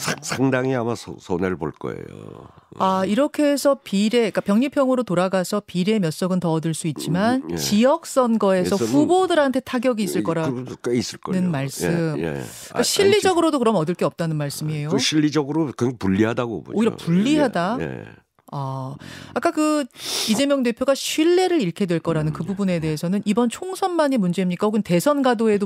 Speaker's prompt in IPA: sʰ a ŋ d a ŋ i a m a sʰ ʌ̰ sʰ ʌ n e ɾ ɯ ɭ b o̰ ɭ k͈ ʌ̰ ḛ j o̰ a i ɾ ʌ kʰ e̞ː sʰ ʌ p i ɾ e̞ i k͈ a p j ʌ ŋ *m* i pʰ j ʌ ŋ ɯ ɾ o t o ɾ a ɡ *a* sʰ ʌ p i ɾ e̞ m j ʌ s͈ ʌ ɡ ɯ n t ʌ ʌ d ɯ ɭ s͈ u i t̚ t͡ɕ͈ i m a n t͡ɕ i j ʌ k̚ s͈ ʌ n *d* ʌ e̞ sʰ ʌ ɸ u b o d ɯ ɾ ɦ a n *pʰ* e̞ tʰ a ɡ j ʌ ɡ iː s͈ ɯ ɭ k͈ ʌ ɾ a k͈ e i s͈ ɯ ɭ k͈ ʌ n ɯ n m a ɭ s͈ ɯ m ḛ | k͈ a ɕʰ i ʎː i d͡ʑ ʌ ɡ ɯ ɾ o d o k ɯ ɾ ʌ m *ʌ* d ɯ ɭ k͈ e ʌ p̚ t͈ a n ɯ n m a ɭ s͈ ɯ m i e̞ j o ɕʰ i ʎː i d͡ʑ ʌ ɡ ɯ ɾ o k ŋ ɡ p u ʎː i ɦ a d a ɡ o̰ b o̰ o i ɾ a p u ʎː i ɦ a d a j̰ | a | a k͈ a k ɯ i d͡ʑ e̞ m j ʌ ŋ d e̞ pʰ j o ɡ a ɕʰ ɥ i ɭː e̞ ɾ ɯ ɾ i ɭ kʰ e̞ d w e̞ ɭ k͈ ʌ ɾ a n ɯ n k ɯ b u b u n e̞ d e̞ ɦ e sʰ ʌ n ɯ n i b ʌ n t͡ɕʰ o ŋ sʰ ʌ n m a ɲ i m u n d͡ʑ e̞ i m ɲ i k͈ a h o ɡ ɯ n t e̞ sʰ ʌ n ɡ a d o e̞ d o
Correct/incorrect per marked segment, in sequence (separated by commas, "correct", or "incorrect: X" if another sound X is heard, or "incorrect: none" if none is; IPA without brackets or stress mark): incorrect: ɲ, correct, incorrect: ɡ, incorrect: tʰ, correct